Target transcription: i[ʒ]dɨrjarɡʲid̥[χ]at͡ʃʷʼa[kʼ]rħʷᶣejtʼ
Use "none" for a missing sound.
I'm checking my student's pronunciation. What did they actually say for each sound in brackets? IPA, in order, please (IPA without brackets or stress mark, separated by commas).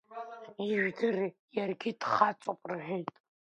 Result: ʒ, χ, pʼ